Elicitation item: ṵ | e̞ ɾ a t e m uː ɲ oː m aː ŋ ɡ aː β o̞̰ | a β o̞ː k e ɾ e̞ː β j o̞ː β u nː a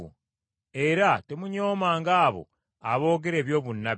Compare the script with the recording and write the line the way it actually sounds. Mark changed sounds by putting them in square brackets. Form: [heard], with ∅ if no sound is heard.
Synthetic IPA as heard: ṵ | e̞ ɾ a t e m [u] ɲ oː m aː ŋ ɡ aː β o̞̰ | a β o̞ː [ɡ] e ɾ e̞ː β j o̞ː β u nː a